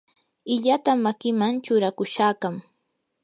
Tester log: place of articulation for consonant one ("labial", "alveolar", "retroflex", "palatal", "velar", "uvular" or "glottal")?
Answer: palatal